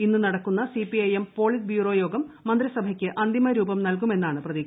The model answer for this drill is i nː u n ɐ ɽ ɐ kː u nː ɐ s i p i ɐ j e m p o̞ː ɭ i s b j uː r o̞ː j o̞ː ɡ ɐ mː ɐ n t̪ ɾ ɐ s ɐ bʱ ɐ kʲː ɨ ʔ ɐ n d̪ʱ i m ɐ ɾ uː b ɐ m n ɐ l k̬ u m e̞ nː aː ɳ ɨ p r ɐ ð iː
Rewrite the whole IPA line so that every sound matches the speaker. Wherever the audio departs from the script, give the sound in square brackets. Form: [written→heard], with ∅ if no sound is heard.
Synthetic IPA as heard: i nː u n ɐ ɽ ɐ kː u nː ɐ s i p i ɐ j e m p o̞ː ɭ i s b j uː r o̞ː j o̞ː ɡ ɐ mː ɐ n [t̪→d̪] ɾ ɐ s ɐ bʱ ɐ kʲː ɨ ʔ ɐ n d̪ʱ i m ɐ ɾ uː b ɐ m n ɐ l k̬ u m e̞ nː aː ɳ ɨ p r ɐ ð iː